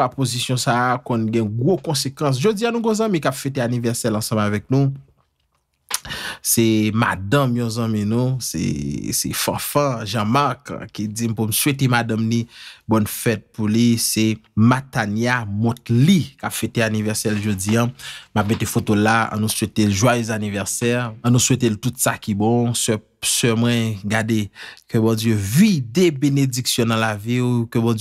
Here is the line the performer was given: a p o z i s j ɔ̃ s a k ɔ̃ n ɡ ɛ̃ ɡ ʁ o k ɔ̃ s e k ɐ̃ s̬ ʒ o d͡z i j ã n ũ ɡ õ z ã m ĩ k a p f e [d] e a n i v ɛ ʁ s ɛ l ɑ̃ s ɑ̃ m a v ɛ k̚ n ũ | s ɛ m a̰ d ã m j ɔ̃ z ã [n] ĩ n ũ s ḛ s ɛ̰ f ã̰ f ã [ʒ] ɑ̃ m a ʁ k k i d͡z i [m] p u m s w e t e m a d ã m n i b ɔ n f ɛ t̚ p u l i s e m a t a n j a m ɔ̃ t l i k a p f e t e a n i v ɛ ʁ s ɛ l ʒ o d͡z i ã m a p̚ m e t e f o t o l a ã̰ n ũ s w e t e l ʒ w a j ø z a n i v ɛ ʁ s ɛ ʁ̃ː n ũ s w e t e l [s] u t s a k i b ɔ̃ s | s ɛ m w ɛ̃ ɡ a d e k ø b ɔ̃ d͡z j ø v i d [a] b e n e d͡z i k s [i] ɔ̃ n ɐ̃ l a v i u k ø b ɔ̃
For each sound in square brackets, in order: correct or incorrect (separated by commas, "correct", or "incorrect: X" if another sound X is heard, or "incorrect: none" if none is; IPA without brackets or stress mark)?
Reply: incorrect: t, incorrect: m, correct, correct, incorrect: t, incorrect: e, incorrect: j